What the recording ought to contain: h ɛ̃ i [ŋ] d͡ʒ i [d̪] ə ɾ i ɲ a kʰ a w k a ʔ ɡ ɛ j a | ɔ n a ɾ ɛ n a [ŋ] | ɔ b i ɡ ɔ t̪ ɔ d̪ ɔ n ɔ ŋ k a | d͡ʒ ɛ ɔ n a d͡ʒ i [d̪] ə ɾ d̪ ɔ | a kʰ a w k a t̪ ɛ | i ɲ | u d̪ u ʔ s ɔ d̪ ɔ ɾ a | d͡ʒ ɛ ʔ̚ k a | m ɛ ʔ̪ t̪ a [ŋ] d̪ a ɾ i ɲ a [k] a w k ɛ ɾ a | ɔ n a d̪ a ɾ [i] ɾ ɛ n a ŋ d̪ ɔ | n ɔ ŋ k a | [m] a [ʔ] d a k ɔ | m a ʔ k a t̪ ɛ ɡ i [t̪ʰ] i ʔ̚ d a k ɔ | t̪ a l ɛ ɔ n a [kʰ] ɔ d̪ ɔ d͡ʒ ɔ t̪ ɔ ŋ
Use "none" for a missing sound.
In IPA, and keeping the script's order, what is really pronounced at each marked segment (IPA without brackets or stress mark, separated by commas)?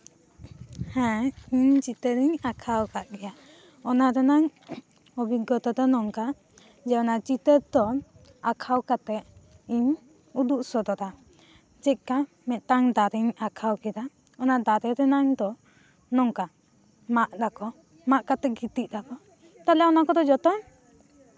ɲ, t̪, ŋ, t̪, ŋ, kʰ, ɛ, m, ʔ, t̪, k